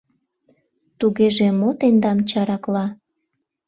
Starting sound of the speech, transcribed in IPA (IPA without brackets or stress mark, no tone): t̪